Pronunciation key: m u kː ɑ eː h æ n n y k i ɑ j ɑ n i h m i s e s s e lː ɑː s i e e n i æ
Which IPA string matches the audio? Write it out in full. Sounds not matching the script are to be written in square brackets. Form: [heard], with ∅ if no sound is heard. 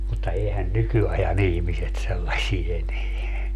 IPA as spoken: m u [tː] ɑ eː h æ n n y k [y] ɑ j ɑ n i h m i s e [t] s e lː [ɑ] s i e e n [e] æ

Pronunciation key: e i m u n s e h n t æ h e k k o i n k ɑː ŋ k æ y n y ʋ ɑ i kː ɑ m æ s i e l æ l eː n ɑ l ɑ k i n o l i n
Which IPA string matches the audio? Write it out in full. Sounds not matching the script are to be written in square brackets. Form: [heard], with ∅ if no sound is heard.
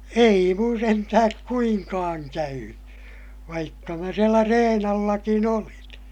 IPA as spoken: e i m u n s e [∅] n t æ h [æ] k k [u] i [ŋ] k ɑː ŋ k æ y n y ʋ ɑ i kː ɑ m æ s i e l æ [r] eː n ɑ [lː] ɑ k i n o l i n

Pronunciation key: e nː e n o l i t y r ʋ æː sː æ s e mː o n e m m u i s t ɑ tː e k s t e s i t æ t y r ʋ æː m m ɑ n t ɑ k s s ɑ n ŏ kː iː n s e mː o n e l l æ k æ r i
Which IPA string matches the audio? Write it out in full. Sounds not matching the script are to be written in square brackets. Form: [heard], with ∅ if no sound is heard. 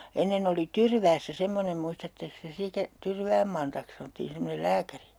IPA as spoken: e nː e n o l i t y r ʋ æː sː æ s e mː o n e m m u i s t ɑ tː e k s t e s i t æ t y r ʋ æː m m ɑ n t ɑ k s s ɑ n ŏ [tː] iː n s e mː o n e l l [æː] k æ r i

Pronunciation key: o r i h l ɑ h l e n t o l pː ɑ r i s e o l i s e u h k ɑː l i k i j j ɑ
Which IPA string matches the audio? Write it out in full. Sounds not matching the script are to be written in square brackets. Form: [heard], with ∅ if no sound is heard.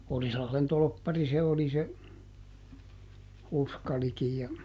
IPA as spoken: o r i [s] l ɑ h l e n t o l pː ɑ r i s e o l i s e u [s] k [ɑ] l i k i j j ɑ

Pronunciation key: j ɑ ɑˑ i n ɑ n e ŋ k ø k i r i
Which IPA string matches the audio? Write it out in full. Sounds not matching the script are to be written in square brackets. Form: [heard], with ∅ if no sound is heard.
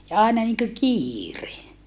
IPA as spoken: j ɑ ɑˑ [e] n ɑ n [i] ŋ k ø k [iː] r [e]

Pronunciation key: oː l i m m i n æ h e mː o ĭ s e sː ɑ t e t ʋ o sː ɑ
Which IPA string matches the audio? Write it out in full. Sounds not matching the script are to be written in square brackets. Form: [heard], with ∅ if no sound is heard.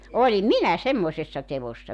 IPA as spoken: [o] l i m m i n æ [s] e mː o ĭ s e sː ɑ t e [∅] ʋ o sː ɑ

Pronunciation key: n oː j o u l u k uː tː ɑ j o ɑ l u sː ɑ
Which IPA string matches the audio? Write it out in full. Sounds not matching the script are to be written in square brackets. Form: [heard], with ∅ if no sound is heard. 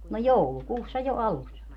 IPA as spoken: n [o] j o u l u k uː [sː] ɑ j o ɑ l u sː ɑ

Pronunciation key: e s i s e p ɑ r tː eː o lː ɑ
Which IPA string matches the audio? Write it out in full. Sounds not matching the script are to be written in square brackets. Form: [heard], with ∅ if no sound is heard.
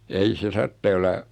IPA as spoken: e [∅] i s e [t] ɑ r tː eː o lː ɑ

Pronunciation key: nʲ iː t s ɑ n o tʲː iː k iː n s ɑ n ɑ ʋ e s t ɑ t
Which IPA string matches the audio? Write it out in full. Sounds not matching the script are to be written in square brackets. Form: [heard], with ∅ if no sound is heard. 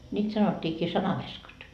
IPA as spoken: nʲ iː t s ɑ n o tʲː iː k iː [∅] s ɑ n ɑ ʋ e s [k] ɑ t

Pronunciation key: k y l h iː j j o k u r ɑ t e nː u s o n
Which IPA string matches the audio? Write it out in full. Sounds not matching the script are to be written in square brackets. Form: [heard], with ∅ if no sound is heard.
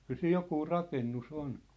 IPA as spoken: k y l [s] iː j j o k [uː] r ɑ [k] e nː u s o n

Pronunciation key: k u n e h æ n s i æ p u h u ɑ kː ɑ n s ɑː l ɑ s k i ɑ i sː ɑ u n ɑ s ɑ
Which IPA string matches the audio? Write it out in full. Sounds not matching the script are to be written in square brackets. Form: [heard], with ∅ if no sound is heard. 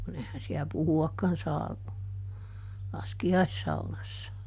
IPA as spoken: k u n e h æ n s i æ p u h u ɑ kː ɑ n s ɑː l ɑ s k i ɑ i sː ɑ u n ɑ [sː] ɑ

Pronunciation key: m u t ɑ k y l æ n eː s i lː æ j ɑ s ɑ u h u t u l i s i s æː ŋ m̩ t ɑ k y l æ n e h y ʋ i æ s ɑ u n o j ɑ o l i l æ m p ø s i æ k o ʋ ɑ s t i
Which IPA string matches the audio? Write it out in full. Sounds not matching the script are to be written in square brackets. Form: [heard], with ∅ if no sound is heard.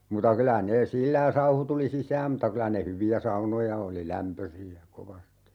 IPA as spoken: m u t ɑ k y l æ n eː s i lː æ j ɑ s ɑ u h u t u l i s i s æː [m] m̩ t ɑ k y l æ n e h y ʋ i æ s ɑ u n o j ɑ o l i l æ m p ø s i æ k o ʋ ɑ s t i

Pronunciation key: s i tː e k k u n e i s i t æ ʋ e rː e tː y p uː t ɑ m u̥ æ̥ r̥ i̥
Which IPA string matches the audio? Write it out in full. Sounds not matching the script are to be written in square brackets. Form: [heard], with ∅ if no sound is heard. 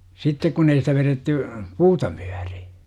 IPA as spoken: s i tː e k k u n e i s i t æ ʋ e [r] e tː y p uː t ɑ m u̥ æ̥ r̥ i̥

